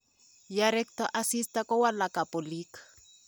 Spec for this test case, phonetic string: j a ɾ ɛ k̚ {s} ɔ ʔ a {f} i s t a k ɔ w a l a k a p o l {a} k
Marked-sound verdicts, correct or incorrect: incorrect: t, incorrect: s, incorrect: i

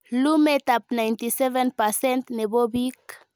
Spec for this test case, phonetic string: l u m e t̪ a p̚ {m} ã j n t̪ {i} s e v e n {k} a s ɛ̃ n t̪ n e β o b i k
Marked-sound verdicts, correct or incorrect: incorrect: n, correct, incorrect: p

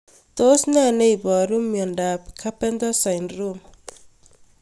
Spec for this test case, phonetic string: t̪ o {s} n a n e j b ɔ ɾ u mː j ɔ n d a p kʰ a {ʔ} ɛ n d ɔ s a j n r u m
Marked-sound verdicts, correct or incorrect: correct, incorrect: p

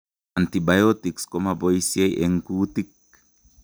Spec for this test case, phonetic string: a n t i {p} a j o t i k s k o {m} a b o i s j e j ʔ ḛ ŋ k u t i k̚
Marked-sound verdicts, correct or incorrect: incorrect: b, correct

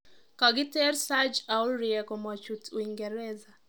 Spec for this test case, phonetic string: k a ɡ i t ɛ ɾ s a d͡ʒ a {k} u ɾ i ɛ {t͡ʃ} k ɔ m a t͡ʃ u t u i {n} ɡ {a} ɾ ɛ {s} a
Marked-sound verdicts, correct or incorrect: incorrect: none, incorrect: none, incorrect: ŋ, incorrect: ɛ, incorrect: z

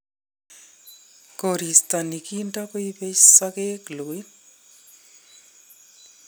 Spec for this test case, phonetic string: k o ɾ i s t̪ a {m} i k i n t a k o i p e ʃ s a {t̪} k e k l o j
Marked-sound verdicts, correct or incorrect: incorrect: n, incorrect: none

